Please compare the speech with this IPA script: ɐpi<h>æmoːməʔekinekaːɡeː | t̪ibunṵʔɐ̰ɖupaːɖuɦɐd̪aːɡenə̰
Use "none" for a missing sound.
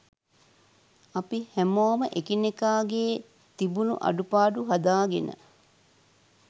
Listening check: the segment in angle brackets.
h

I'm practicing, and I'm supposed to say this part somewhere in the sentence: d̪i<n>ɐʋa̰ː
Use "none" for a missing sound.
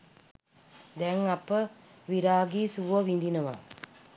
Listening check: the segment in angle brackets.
n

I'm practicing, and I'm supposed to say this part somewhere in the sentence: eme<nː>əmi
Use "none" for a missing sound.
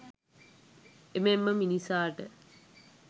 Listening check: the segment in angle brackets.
mː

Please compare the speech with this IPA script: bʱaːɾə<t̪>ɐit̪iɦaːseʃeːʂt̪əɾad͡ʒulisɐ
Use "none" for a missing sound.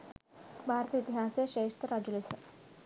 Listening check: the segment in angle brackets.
t̪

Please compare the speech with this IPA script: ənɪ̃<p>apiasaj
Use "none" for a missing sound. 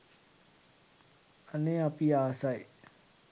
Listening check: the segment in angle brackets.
none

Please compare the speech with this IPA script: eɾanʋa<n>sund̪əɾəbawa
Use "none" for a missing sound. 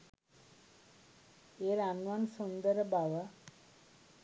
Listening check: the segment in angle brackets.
n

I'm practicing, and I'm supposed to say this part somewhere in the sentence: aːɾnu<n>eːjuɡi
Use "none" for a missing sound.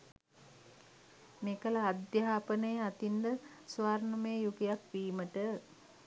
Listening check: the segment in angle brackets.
m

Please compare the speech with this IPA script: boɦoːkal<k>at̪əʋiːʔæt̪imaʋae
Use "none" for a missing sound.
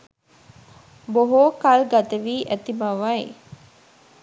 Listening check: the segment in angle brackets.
ɡ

